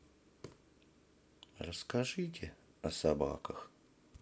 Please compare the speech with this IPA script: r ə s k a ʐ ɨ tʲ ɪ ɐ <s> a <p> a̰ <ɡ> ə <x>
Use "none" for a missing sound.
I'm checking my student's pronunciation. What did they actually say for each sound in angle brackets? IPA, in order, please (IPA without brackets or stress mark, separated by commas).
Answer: s, b, k, x